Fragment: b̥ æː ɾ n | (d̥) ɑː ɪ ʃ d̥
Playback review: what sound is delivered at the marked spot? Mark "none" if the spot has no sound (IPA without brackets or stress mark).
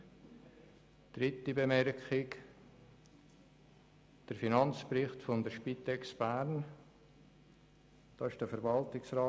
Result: d̥